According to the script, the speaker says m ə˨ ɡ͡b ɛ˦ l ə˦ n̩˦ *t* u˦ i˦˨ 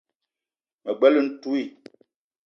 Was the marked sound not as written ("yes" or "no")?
no